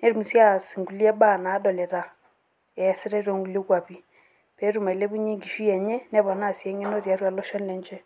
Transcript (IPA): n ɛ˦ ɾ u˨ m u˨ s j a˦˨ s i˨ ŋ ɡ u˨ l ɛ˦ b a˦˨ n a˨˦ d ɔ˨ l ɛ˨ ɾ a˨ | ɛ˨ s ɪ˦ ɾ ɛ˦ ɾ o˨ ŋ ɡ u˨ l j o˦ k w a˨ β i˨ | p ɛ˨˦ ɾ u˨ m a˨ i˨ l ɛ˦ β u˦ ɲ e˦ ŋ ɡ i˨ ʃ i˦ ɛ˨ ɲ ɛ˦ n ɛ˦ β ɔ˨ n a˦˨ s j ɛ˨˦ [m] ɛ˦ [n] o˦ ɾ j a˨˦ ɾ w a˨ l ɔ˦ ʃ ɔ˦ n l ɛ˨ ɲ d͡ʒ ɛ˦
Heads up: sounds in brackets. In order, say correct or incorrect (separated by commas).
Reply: incorrect, correct